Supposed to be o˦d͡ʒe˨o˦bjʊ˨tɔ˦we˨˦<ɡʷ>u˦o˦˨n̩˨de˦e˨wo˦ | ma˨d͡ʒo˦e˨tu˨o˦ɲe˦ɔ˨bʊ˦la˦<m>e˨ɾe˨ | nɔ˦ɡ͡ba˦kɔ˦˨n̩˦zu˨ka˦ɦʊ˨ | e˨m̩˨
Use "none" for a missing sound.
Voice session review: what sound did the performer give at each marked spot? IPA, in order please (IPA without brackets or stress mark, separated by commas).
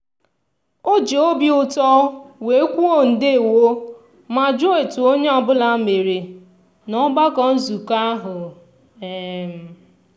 kʷ, m